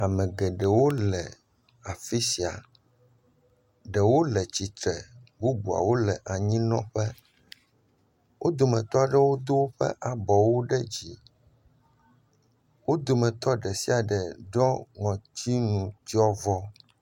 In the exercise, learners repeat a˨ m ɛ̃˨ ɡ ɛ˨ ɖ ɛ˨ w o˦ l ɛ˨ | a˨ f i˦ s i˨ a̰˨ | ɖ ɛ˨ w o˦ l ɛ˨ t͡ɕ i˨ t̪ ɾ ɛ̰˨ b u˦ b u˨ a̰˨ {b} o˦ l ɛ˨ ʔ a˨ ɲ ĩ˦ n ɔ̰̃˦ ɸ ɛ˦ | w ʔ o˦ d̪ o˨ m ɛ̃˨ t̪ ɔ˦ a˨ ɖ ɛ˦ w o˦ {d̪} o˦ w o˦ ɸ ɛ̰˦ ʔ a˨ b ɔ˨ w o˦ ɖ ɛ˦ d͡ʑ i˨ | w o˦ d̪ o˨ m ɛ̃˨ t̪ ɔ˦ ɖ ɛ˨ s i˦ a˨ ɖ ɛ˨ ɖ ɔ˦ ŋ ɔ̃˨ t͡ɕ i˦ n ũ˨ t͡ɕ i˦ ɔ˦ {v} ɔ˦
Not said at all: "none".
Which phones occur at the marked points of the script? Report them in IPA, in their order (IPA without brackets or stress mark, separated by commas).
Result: w, d̪, v